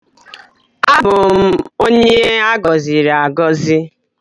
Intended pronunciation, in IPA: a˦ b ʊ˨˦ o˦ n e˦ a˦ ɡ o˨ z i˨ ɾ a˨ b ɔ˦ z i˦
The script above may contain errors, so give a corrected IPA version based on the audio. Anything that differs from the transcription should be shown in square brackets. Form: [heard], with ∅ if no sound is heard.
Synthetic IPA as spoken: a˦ b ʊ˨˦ o˦ [ɲ] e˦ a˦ ɡ [ɔ˨] z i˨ ɾ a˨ [ɡ] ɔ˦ z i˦